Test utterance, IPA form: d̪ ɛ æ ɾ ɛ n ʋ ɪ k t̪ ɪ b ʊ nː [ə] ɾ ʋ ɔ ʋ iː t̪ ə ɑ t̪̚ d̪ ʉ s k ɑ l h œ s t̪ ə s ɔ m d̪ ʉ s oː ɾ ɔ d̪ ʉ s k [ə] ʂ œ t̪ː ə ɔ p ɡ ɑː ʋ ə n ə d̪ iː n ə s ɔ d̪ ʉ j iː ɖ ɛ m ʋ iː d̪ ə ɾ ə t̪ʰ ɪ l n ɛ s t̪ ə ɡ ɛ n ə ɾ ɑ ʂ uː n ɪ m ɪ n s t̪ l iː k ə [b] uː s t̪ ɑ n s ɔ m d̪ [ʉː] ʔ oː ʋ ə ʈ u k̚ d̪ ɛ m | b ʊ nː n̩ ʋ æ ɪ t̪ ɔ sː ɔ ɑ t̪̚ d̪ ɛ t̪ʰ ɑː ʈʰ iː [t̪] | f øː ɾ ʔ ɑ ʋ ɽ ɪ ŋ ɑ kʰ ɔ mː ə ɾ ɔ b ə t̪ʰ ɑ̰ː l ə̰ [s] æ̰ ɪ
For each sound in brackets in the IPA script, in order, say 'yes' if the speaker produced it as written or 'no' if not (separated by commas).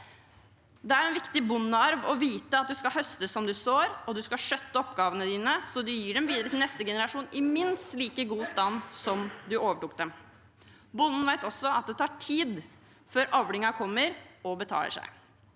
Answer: no, no, no, no, no, no